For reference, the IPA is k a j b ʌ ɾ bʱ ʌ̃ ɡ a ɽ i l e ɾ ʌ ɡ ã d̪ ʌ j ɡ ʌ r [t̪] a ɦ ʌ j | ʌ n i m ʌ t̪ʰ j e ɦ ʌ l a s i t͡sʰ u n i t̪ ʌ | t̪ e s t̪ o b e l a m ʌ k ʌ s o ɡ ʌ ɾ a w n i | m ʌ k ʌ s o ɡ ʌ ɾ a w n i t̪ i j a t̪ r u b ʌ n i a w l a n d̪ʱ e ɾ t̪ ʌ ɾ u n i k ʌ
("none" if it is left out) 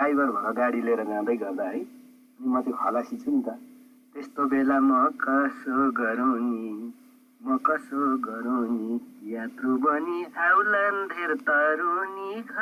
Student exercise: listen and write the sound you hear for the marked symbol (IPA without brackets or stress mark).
d̪